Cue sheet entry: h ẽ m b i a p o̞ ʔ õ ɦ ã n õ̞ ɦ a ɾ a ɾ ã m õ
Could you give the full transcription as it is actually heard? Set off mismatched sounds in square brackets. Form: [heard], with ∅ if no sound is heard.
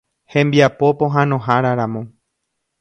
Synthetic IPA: h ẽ m b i a p o̞ [p] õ ɦ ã n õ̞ ɦ a ɾ a ɾ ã m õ